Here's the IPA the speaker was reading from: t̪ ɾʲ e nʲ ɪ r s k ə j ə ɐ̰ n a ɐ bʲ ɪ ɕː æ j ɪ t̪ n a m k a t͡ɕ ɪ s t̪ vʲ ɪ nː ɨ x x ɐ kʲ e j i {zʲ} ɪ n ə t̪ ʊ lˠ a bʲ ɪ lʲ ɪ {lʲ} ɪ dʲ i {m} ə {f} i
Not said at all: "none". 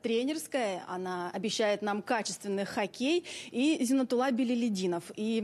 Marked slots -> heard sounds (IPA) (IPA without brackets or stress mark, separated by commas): zʲ, lʲ, n, f